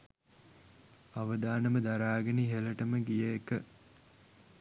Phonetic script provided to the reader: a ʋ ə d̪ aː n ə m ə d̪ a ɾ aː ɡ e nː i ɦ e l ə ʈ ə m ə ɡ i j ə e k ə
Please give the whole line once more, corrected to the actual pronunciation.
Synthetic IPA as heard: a ʋ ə d̪ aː n ə m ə d̪ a ɾ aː ɡ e n i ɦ e l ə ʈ ə m ə ɡ i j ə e k ə